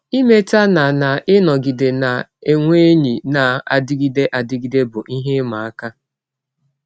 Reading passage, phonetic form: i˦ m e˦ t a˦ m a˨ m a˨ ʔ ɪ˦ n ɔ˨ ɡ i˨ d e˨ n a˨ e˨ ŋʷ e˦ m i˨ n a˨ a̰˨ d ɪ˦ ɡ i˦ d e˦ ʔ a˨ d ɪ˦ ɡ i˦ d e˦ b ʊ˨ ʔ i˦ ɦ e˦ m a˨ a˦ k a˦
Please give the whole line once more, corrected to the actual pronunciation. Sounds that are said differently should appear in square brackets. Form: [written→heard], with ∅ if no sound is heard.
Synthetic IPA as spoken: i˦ m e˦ t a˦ [m→n] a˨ [m→n] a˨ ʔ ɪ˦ n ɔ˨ ɡ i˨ d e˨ n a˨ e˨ ŋʷ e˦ [m→ɲ] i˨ n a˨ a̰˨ d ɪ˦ ɡ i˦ d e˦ ʔ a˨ d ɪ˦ ɡ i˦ d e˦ b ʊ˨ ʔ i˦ ɦ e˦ m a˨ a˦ k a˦

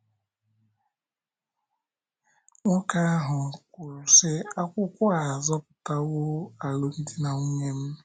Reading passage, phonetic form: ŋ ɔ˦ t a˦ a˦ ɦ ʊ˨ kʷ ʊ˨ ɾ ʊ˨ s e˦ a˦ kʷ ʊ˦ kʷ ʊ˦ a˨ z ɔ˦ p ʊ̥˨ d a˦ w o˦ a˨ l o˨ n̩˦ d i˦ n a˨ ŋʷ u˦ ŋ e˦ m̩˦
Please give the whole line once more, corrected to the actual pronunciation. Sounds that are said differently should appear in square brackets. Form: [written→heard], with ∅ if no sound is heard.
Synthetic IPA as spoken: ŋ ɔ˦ [t→k] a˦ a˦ ɦ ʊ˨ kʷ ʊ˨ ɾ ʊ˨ s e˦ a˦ kʷ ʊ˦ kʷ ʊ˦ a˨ z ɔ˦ p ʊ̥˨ [d→t] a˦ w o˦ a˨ l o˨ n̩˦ d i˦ n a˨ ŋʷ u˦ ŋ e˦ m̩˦

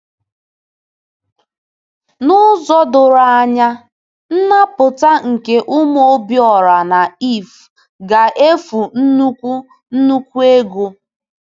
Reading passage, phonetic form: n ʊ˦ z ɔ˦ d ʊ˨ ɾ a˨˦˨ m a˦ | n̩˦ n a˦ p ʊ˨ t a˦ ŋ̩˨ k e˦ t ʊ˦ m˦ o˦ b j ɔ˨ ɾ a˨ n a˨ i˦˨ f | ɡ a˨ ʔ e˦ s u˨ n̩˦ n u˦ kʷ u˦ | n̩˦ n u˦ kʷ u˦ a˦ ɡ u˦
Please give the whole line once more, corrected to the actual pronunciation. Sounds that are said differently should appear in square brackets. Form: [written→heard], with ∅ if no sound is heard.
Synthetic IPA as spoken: n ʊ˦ z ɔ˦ d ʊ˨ ɾ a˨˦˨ [m→ɲ] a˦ | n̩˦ n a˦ p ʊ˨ t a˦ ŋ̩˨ k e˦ [t→ʔ] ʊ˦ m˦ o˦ b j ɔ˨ ɾ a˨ n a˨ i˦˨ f | ɡ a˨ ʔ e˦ [s→f] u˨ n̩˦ n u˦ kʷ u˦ | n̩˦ n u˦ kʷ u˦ [a˦→e˦] ɡ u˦

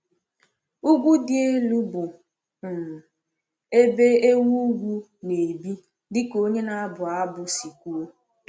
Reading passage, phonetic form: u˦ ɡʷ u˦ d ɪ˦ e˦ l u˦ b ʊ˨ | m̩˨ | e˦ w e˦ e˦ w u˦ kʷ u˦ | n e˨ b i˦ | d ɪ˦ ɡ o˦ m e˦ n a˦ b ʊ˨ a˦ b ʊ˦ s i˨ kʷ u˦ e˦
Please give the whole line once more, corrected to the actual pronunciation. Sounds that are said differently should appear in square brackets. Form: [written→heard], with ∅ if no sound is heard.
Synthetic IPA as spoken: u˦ ɡʷ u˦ d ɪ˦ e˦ l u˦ b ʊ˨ | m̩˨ | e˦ [w→b] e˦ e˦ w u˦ [kʷ→ɡʷ] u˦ | n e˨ b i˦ | d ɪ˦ [ɡ→k] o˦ [m→ɲ] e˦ n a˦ b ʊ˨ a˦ b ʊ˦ s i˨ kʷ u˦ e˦

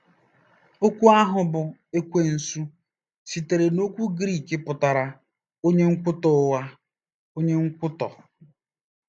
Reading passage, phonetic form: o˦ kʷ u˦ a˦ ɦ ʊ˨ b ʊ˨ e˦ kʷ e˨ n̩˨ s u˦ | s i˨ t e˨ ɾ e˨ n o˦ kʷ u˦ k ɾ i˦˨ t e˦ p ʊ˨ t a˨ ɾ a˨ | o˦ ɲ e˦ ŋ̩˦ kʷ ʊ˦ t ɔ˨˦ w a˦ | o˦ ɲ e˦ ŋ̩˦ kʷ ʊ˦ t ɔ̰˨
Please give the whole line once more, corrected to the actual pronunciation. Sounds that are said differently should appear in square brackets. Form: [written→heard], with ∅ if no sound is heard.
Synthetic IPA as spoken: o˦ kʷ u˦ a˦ ɦ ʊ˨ b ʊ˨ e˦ kʷ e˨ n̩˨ s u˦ | s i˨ t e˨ ɾ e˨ n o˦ kʷ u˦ [k→ɡ] ɾ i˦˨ [t→k] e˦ p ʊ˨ t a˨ ɾ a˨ | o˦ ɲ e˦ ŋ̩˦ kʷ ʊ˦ t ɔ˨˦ w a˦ | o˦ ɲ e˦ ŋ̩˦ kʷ ʊ˦ t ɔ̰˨

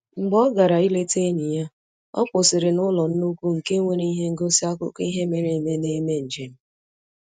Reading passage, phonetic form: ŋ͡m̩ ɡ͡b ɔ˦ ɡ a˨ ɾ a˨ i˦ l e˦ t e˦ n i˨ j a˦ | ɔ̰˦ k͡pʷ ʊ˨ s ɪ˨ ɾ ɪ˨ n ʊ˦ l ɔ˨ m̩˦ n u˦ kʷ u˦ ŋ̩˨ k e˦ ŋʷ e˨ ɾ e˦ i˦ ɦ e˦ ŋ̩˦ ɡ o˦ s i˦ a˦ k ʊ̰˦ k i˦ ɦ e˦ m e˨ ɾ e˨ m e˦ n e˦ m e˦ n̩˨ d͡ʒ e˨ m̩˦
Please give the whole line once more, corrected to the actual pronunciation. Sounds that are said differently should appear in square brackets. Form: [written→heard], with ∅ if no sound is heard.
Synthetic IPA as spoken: ŋ͡m̩ ɡ͡b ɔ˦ ɡ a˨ ɾ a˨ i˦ l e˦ t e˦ n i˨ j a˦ | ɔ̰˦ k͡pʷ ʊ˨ s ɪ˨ ɾ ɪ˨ n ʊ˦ l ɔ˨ [m̩˦→n̩˦] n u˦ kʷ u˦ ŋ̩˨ k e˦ ŋʷ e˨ ɾ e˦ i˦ ɦ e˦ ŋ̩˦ ɡ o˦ s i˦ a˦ k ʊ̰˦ k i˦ ɦ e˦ m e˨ ɾ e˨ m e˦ n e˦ m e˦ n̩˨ d͡ʒ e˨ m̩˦

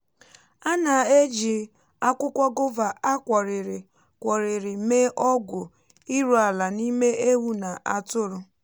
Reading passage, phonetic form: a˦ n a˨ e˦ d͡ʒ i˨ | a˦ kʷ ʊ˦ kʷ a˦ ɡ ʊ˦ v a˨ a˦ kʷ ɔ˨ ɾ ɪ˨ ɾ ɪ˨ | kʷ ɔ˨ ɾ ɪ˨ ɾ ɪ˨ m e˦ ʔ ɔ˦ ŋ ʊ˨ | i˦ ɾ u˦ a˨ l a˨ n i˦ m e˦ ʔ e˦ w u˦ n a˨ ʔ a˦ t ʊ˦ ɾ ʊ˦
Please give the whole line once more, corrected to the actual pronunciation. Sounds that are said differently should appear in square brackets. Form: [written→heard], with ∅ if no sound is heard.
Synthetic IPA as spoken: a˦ n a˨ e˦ d͡ʒ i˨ | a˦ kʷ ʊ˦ kʷ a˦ ɡ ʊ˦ v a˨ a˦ kʷ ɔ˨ ɾ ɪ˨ ɾ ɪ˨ | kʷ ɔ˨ ɾ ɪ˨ ɾ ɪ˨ m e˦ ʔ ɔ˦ [ŋ→ɡ] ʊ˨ | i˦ ɾ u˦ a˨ l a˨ n i˦ m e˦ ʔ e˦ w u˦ n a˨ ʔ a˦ t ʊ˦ ɾ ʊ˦

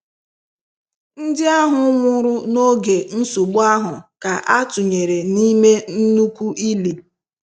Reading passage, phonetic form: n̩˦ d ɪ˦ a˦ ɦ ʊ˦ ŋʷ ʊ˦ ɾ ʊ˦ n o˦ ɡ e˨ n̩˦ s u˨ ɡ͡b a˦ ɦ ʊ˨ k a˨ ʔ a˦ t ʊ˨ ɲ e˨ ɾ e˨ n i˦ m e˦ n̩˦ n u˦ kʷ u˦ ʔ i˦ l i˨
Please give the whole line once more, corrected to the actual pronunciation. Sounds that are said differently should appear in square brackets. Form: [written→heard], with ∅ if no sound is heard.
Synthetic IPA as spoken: n̩˦ d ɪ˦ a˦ ɦ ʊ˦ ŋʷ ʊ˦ ɾ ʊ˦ n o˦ ɡ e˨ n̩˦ s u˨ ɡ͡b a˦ ɦ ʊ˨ k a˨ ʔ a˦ t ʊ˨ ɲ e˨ ɾ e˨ n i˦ m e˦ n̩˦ n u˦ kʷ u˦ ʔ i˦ l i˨

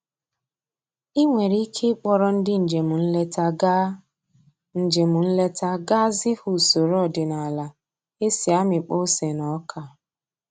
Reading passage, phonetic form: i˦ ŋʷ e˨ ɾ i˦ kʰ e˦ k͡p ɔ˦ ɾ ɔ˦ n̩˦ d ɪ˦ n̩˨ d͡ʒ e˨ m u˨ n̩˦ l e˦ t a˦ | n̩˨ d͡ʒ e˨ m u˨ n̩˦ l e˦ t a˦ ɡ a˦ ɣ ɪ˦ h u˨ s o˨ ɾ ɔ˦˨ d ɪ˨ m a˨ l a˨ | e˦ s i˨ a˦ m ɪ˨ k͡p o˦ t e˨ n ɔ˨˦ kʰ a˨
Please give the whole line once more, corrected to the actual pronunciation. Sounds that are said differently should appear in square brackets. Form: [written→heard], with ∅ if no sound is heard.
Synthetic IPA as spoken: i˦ ŋʷ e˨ ɾ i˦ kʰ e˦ k͡p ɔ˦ ɾ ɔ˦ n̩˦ d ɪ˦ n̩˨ d͡ʒ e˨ m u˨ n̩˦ l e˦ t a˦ | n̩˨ d͡ʒ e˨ m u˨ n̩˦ l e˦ t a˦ ɡ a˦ [ɣ→z] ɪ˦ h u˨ s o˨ ɾ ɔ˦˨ d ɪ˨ [m→n] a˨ l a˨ | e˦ s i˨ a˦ m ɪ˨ k͡p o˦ [t→s] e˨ n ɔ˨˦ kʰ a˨

